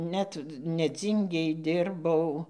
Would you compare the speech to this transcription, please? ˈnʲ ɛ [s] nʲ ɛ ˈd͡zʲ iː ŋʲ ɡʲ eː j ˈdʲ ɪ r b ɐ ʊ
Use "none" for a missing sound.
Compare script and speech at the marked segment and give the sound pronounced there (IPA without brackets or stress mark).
t